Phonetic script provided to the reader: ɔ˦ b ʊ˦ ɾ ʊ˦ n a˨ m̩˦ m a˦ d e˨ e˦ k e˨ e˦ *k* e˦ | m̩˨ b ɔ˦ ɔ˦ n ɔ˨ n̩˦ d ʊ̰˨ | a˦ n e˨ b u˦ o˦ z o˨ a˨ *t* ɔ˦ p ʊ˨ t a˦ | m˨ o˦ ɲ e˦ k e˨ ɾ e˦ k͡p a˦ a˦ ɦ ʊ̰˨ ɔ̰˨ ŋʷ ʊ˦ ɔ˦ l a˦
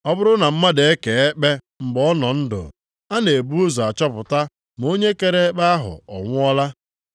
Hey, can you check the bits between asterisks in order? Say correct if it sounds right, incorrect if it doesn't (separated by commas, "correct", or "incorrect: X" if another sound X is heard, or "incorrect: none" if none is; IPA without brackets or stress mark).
incorrect: k͡p, incorrect: t͡ʃ